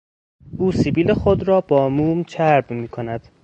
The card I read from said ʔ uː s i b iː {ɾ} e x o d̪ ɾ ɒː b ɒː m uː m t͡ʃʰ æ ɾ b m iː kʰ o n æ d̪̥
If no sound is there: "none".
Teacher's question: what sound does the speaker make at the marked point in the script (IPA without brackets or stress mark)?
l